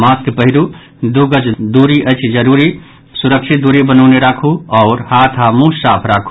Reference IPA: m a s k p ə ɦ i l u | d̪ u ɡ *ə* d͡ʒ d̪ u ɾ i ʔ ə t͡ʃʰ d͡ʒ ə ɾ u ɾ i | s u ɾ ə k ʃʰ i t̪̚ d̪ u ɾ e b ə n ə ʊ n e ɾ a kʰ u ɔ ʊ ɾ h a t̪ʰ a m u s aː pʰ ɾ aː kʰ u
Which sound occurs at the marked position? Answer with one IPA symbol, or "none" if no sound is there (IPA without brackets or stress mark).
ə